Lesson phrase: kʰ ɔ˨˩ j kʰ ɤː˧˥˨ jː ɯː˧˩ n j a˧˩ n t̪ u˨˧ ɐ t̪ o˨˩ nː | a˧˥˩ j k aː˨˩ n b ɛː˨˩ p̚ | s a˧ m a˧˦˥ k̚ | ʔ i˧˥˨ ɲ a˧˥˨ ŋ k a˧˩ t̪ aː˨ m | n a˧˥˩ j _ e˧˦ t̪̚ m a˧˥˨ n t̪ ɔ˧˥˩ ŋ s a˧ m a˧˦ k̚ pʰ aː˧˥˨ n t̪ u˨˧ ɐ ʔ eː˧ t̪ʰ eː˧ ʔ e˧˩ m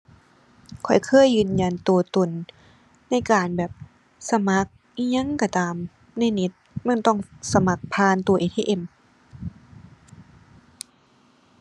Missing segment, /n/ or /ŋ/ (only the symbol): n